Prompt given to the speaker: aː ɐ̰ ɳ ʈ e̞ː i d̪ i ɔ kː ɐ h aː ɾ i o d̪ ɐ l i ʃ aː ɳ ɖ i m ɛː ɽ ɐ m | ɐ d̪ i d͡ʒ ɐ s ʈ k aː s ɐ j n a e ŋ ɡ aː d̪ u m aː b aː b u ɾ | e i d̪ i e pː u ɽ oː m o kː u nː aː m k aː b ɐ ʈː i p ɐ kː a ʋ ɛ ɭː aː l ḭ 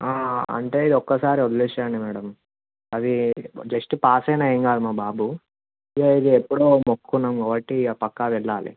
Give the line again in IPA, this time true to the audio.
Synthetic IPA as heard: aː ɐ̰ ɳ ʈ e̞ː i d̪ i ɔ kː ɐ s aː ɾ i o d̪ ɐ l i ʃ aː ɳ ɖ i m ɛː ɽ ɐ m | ɐ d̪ i d͡ʒ ɐ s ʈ p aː s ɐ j n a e ŋ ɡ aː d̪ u m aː b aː b u | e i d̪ i e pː u ɽ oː m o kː u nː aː m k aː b ɐ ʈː i p ɐ kː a ʋ ɛ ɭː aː l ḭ